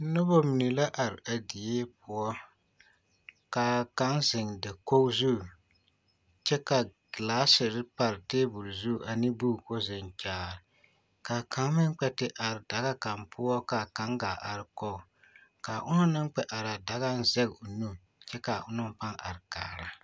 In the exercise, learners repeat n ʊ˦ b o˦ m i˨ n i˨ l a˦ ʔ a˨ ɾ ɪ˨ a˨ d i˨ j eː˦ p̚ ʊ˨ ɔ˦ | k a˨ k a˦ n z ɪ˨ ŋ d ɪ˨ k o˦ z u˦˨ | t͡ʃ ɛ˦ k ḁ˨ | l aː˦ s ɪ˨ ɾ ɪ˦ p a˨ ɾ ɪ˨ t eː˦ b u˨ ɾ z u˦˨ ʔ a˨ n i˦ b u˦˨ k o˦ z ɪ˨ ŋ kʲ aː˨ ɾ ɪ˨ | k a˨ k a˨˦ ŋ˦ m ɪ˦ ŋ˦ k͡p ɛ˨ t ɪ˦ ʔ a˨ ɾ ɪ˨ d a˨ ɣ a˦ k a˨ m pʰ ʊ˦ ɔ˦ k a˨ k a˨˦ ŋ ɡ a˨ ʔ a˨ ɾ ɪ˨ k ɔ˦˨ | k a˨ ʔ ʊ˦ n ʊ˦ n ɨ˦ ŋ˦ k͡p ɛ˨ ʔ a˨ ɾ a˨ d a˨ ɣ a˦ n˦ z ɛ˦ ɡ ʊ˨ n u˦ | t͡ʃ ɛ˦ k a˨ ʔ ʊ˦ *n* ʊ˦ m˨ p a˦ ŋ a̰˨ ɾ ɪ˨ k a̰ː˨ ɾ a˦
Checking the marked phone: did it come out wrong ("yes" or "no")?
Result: no